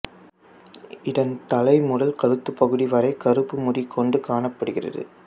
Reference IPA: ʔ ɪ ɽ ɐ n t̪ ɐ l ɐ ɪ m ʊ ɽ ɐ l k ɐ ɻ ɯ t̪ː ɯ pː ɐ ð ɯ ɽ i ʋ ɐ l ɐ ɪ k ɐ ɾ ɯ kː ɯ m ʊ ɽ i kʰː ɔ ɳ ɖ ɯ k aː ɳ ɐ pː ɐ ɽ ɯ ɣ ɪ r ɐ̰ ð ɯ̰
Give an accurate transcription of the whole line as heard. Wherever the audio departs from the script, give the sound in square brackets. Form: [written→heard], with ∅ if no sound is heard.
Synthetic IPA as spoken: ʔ ɪ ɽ ɐ n t̪ ɐ l ɐ ɪ m ʊ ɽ ɐ l k ɐ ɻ ɯ t̪ː ɯ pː ɐ [ð→ɣ] ɯ ɽ i ʋ ɐ [l→ɾ] ɐ ɪ k ɐ ɾ ɯ [kː→pː] ɯ m ʊ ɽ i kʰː ɔ ɳ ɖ ɯ k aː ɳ ɐ pː ɐ ɽ ɯ ɣ ɪ r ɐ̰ ð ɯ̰